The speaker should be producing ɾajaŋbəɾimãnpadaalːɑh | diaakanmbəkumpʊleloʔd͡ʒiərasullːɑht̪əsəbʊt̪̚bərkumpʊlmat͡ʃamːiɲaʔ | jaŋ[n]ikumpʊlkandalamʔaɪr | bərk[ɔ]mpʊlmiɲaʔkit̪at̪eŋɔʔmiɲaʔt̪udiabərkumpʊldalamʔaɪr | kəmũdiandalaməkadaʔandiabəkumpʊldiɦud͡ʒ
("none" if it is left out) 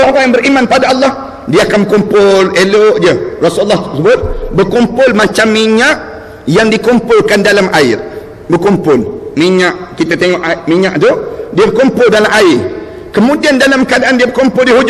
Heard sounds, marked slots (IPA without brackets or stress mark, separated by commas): d, u